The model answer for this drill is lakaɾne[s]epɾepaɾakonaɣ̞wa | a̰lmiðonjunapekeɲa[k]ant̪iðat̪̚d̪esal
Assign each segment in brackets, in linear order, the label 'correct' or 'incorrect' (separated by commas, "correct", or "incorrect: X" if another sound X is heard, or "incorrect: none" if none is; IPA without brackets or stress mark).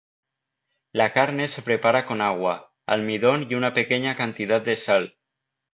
correct, correct